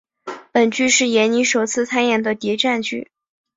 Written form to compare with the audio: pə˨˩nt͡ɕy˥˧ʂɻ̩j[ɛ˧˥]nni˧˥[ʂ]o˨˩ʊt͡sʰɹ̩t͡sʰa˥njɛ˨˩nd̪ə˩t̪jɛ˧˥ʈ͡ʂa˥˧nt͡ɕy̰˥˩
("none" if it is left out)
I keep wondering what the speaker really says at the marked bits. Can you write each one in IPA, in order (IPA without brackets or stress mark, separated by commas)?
ɛ˧˥, ʂ